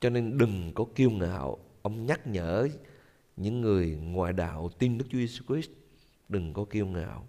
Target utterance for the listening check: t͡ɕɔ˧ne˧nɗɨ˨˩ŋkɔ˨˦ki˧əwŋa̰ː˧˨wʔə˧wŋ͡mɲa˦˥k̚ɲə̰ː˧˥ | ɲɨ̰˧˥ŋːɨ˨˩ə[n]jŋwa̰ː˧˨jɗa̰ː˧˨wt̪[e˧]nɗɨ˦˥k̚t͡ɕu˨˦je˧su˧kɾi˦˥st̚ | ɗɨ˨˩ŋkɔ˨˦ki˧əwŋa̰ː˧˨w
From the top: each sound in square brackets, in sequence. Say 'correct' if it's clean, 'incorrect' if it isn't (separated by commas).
incorrect, incorrect